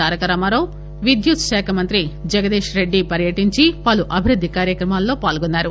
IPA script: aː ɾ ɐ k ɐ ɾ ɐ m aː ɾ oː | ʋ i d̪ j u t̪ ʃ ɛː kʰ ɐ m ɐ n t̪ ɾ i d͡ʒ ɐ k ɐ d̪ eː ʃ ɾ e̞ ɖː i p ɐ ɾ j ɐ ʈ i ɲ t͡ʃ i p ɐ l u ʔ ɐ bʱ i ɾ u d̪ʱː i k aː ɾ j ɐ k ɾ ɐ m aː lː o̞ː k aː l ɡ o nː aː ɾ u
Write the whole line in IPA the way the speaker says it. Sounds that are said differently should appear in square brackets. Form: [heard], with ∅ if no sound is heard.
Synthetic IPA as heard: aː ɾ ɐ k ɐ ɾ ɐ m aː ɾ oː | ʋ i d̪ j u t̪ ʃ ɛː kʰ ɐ m ɐ n t̪ ɾ i d͡ʒ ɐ [ɡ] ɐ d̪ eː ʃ ɾ e̞ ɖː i p ɐ ɾ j ɐ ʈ i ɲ t͡ʃ i p ɐ l u ʔ ɐ bʱ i ɾ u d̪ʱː i k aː ɾ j ɐ k ɾ ɐ m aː lː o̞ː [p] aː l ɡ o nː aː ɾ u